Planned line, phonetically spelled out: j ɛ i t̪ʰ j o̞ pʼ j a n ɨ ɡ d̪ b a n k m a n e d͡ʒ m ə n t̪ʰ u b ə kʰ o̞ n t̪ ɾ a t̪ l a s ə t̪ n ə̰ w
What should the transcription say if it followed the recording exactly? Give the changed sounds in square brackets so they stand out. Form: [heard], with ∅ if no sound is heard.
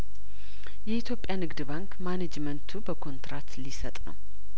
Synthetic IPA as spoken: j ɛ i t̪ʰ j o̞ pʼ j a n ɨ ɡ d̪ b a [ŋ] k m a n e d͡ʒ m ə n t̪ʰ u b ə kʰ o̞ n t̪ ɾ a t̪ l [i] s ə [t̪ʼ] n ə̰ w